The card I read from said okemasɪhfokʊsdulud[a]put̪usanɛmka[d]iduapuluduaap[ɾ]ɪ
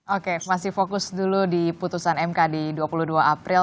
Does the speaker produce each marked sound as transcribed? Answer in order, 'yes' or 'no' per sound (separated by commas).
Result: no, yes, yes